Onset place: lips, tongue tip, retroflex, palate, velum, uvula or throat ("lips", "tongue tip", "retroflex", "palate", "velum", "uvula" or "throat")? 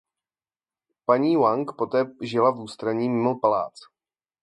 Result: lips